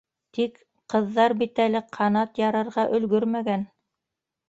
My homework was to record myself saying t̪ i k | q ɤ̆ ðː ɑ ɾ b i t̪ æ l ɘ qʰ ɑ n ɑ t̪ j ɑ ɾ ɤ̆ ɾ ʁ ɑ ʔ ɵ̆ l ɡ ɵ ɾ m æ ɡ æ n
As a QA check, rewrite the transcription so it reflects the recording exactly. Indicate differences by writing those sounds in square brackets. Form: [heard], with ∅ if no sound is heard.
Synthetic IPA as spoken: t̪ i k | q ɤ̆ ðː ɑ ɾ b i t̪ æ l ɘ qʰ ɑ n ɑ t̪ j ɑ ɾ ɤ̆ ɾ ʁ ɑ ʔ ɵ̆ l ɡ ɵ ɾ m æ ɡ æ n